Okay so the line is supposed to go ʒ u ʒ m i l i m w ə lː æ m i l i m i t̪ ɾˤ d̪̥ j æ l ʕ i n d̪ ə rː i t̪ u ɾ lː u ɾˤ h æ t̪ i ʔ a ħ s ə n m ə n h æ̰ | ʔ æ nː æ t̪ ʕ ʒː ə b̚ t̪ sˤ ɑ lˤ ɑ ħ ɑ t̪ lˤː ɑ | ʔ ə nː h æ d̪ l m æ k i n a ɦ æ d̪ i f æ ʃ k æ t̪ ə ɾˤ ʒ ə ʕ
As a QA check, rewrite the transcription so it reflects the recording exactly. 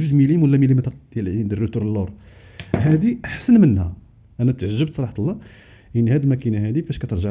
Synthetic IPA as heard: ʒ u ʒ m i l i m w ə lː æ m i l i m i t̪ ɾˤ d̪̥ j æ l ʕ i n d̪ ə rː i t̪ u ɾ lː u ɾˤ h æ d̪ i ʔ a ħ s ə n m ə n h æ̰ | ʔ æ n æ t̪ ʕ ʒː ə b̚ t̪ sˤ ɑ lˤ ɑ ħ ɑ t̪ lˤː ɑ | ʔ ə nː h æ d̪ l m æ k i n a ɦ æ d̪ i f æ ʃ k æ t̪ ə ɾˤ ʒ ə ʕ